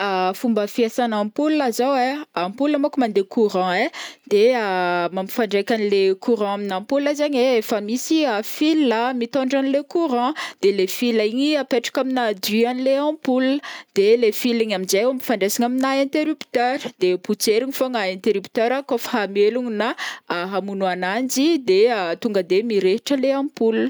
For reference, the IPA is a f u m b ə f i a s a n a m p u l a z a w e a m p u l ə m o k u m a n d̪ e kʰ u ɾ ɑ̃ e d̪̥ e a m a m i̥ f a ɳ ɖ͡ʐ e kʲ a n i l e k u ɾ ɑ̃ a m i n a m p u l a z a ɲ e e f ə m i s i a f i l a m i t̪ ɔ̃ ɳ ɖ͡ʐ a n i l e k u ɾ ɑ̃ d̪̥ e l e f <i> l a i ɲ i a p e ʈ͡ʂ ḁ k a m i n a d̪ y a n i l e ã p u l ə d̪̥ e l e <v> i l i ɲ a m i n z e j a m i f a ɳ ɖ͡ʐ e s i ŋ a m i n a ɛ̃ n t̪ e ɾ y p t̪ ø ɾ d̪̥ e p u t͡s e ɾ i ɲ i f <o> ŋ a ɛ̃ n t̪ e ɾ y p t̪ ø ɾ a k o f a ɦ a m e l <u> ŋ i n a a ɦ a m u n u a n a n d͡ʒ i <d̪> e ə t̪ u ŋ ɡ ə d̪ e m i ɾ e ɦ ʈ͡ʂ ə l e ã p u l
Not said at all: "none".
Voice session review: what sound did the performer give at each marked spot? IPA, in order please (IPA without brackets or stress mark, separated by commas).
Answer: i, f, o, u, d̪